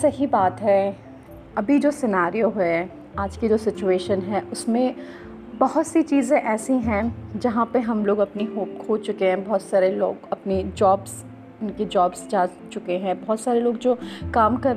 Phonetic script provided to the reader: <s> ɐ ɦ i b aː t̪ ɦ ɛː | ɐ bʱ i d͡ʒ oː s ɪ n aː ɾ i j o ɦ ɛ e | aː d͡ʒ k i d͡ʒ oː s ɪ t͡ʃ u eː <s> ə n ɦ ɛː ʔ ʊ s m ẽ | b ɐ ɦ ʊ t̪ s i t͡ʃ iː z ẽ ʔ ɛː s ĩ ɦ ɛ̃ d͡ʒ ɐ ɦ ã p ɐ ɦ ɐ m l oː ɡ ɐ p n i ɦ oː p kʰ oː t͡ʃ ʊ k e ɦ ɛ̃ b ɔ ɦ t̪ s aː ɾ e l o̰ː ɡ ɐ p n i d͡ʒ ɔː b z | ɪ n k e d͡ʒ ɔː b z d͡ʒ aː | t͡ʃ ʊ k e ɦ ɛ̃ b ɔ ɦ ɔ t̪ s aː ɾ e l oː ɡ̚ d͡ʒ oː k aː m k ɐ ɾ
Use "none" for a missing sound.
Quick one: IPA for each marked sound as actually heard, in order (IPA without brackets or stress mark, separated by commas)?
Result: s, ʃ